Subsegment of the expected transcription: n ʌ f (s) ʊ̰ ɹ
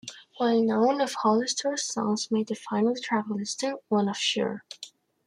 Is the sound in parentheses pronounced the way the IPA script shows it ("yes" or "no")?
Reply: no